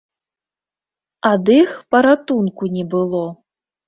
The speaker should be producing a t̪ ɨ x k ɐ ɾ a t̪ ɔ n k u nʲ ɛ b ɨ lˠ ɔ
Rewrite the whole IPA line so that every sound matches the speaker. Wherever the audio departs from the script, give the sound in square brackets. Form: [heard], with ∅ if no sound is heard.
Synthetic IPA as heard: a [d̪] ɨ x [p] ɐ ɾ a t̪ [u] n k u nʲ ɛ b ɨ lˠ ɔ